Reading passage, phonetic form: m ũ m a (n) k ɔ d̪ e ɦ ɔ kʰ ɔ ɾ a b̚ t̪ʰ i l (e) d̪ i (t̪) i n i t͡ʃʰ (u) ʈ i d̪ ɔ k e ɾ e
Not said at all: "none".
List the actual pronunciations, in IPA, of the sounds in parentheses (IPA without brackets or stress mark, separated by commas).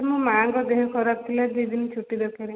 ŋ, a, d̪, u